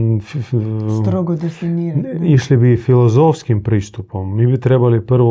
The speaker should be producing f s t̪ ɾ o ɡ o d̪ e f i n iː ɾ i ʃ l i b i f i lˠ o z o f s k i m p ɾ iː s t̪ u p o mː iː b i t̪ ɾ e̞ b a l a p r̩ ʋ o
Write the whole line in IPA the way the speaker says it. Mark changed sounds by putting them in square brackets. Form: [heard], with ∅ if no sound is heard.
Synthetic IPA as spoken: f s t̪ ɾ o ɡ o d̪ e f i n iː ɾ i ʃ l i b i f i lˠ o z o f s k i m p ɾ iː s t̪ u p o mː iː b i t̪ ɾ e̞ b a l [i] p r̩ ʋ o